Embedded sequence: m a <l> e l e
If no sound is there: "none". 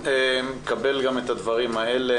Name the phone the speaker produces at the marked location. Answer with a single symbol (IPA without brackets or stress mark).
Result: none